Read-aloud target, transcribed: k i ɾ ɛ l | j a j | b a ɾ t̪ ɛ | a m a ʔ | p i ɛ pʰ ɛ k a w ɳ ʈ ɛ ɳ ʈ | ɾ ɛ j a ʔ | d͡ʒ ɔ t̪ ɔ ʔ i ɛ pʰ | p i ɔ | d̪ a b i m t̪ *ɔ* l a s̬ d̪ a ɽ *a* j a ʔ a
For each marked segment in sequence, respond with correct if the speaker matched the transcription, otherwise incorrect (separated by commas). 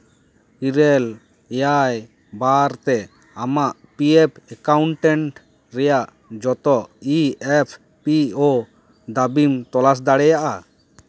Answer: correct, incorrect